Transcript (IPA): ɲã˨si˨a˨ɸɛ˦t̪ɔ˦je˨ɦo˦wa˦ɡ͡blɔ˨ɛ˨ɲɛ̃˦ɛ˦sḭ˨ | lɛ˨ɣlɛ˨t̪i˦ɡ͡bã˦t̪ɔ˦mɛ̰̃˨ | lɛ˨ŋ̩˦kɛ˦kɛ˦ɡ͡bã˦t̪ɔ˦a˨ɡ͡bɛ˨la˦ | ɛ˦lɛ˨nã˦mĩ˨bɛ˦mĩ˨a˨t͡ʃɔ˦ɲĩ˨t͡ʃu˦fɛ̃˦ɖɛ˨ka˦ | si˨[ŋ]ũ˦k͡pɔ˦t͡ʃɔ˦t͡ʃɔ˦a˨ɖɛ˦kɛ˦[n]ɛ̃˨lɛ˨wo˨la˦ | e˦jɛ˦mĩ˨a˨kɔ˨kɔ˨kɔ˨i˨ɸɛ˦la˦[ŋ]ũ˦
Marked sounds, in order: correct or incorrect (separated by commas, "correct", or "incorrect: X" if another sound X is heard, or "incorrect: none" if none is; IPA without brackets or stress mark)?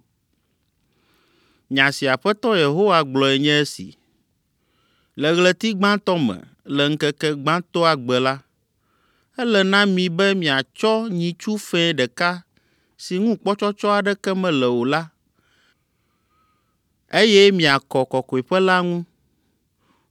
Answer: correct, incorrect: m, correct